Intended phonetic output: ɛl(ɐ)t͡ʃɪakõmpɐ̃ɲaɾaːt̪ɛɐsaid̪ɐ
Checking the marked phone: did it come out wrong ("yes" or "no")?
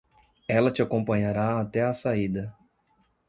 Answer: no